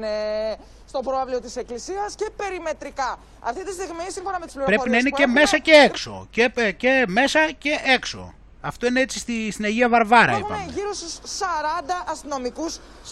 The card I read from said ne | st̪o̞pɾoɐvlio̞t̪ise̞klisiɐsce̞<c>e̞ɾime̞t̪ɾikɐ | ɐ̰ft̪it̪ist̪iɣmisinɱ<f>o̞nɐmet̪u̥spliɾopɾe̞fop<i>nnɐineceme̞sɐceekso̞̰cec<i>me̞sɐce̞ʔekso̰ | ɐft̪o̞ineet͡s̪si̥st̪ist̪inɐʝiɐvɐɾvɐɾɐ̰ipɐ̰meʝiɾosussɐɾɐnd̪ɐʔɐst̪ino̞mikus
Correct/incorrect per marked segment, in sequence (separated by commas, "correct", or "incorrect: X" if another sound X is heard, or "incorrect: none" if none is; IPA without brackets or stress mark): incorrect: p, correct, correct, incorrect: e